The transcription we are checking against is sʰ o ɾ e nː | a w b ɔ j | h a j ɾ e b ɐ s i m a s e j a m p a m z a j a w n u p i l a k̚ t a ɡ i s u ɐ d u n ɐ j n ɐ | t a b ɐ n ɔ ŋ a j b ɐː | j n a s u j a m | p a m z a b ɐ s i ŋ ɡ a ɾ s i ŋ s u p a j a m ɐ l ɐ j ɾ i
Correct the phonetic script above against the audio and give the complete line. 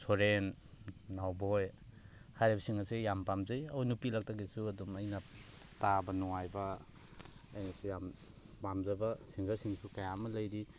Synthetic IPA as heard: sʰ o ɾ e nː | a w b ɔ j | h a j ɾ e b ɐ s i ŋ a s e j a m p a m z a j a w n u p i l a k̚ t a ɡ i s u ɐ d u m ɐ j n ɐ | t a b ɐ n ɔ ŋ a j b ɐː | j n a s u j a m | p a m z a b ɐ s i ŋ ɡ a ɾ s i ŋ s u k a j a m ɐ l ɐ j ɾ i